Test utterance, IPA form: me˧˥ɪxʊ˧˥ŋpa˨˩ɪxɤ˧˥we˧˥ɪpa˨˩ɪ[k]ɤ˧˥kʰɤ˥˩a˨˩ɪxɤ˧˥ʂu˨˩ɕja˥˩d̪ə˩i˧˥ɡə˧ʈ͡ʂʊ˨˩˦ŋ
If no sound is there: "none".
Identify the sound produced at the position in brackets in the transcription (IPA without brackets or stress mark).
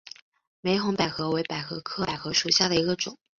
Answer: x